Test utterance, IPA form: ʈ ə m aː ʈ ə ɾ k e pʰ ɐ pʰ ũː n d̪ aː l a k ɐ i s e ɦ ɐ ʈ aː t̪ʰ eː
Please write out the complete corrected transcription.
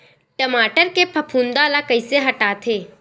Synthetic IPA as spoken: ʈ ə m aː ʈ ə ɾ k e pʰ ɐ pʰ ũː n d̪ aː l a k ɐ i s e ɦ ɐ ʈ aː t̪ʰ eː